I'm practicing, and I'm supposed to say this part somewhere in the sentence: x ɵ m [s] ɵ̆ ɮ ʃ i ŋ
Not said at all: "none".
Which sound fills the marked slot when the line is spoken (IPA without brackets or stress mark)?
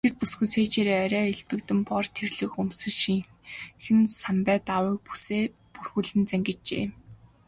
s